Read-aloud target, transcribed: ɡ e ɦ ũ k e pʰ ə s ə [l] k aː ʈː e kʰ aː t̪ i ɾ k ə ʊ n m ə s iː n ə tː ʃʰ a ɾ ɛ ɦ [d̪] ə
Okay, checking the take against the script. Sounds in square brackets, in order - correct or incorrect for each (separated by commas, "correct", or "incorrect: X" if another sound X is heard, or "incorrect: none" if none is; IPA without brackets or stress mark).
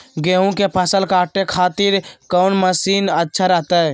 correct, incorrect: t̪